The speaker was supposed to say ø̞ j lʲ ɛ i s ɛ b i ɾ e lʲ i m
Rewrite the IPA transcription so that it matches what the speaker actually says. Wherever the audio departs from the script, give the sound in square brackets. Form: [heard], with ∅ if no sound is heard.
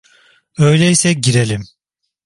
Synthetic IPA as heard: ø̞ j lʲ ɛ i s ɛ [ɟ] i ɾ e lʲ i m